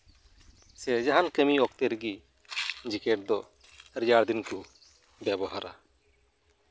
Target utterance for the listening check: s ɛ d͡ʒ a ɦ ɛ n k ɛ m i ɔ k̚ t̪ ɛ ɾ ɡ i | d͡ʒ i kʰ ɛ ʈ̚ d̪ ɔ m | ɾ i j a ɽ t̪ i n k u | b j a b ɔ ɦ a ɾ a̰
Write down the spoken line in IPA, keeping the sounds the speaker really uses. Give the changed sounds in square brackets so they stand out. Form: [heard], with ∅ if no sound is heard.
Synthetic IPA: s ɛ d͡ʒ a ɦ [a] n k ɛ m i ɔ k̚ t̪ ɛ ɾ ɡ i | d͡ʒ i [k] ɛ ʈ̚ d̪ ɔ [∅] | ɾ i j a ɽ [d̪] i n k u | b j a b ɔ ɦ a ɾ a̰